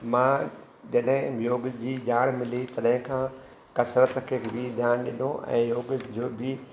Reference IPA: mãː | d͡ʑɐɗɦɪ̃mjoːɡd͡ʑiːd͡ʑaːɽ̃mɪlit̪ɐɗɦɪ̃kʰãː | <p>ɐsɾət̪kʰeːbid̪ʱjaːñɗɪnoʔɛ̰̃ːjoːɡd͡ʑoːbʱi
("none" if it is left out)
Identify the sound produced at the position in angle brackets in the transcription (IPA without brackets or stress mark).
k